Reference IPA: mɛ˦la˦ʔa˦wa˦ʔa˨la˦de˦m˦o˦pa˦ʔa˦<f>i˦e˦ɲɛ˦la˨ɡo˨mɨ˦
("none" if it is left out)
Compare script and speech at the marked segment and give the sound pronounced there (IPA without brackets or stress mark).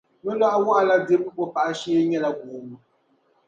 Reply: ʃ